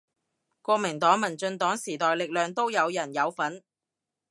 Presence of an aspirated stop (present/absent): absent